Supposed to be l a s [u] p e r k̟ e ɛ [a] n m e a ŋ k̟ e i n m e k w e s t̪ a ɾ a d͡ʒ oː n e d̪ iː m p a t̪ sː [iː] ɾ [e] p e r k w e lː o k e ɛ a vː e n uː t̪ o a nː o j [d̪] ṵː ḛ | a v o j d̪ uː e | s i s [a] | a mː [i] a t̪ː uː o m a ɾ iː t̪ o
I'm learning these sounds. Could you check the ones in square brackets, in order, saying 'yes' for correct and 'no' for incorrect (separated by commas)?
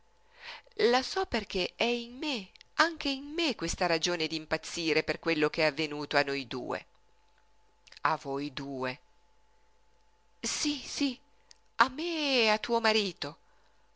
no, no, yes, yes, yes, no, no